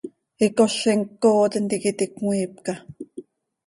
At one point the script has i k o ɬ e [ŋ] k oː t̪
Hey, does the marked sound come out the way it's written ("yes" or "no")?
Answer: yes